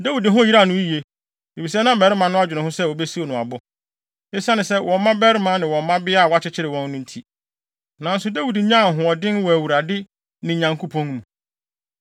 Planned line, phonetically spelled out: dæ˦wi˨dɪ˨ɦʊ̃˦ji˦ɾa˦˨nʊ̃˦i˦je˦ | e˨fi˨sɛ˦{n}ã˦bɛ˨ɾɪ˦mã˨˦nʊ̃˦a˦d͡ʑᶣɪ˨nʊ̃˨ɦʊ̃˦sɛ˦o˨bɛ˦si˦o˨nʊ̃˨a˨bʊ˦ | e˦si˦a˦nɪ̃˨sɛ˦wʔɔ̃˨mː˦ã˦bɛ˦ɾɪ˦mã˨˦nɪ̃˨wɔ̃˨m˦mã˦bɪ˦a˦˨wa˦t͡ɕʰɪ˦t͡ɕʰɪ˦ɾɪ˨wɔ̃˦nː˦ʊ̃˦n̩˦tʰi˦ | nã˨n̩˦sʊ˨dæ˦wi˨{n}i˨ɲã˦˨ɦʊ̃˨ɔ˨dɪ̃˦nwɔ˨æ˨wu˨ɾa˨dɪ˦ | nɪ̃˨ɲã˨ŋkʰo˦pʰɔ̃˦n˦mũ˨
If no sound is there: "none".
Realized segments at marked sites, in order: n, d

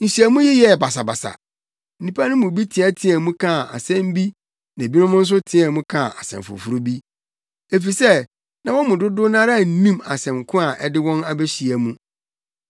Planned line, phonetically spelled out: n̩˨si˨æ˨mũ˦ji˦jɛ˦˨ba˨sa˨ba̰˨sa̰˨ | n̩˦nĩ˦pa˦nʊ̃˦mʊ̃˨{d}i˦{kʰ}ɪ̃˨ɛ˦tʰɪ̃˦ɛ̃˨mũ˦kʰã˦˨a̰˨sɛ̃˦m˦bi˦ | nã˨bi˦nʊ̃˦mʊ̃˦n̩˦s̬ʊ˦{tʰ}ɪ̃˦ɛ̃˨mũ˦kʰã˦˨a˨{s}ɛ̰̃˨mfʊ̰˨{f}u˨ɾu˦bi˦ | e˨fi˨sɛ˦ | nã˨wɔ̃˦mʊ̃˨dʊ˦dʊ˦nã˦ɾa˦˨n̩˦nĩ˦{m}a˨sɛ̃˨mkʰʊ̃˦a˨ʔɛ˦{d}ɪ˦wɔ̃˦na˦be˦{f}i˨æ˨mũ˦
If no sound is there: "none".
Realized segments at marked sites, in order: b, tʰ, tʰ, s, f, m, d, ɕ

